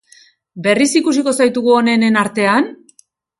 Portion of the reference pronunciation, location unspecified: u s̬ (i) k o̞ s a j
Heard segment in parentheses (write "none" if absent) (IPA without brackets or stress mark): i